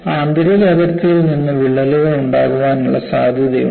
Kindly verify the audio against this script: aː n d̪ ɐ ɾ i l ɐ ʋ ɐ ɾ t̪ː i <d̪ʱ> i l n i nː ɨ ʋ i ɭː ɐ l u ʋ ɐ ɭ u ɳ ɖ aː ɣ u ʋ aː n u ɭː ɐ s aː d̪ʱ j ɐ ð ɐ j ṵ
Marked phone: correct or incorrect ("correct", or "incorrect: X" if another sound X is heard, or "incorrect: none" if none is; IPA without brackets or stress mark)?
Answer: incorrect: none